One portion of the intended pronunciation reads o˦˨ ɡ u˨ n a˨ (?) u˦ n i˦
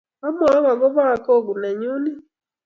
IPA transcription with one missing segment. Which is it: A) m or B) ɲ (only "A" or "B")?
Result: B